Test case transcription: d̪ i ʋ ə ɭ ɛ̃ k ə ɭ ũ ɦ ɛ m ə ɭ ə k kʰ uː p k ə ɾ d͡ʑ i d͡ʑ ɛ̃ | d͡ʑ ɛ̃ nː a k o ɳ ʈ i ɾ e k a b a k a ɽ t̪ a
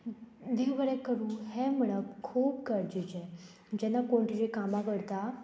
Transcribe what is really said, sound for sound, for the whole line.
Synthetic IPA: d̪ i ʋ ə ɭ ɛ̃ k ə ɾ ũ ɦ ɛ m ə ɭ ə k kʰ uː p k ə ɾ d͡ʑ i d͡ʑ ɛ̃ | d͡ʑ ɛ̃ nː a k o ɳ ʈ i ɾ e k a m a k ə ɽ t̪ a